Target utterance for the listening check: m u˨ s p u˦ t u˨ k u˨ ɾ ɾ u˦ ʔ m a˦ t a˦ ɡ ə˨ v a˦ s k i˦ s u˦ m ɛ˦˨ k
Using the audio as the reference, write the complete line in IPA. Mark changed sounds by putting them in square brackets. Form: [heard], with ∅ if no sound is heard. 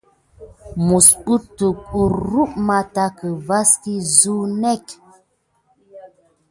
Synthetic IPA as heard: m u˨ s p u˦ t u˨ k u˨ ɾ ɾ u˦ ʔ m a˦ t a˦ [k] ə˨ v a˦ s k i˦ [z] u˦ [n] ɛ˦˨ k